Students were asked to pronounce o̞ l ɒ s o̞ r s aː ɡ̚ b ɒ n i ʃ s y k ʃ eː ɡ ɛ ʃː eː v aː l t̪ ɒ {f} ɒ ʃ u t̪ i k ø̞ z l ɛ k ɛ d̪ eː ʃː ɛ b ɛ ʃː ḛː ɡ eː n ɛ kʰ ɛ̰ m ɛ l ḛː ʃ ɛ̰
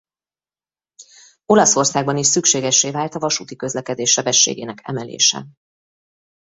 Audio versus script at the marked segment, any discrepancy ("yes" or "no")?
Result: yes